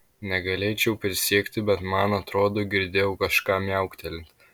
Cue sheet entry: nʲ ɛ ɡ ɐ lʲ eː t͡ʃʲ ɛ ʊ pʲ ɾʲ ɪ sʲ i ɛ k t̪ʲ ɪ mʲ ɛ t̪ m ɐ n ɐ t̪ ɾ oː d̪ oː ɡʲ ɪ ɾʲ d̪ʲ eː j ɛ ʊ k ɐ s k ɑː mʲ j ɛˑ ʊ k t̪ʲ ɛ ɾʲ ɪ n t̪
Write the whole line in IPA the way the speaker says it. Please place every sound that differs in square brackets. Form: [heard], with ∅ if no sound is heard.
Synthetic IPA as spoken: nʲ ɛ ɡ ɐ lʲ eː t͡ʃʲ ɛ ʊ pʲ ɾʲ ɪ sʲ i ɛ k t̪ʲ ɪ [bʲ] ɛ t̪ m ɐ n ɐ t̪ ɾ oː d̪ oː ɡʲ ɪ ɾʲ d̪ʲ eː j ɛ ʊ k ɐ [ʃ] k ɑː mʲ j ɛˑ ʊ k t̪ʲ ɛ [lʲ] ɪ n t̪